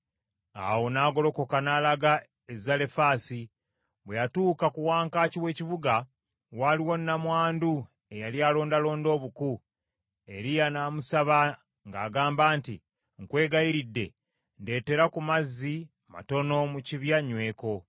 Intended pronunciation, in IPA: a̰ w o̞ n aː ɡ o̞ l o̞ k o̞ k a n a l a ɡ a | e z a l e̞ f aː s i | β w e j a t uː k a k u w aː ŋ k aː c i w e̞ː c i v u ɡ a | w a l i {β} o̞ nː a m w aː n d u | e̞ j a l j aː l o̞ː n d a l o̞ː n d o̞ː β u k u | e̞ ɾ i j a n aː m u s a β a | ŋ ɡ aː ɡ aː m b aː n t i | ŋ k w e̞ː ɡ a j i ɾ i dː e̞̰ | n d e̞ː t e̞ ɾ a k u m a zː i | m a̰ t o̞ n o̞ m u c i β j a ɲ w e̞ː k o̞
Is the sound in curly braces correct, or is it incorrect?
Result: incorrect